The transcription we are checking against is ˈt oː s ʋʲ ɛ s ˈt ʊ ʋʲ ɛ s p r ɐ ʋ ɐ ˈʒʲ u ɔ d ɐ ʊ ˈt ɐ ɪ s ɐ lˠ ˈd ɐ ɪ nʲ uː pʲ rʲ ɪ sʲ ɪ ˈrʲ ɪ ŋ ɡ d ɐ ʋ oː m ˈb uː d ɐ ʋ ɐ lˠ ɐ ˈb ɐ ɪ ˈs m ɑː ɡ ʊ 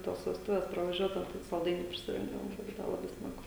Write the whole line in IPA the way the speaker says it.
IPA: ˈt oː s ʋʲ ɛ s ˈt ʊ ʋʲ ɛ s p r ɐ ʋ ɐ ˈʒʲ u ɔ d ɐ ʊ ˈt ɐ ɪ s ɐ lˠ ˈd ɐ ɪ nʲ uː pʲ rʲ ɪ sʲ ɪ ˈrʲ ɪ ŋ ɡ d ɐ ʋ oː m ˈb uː d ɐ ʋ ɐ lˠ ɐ ˈb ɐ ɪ ˈs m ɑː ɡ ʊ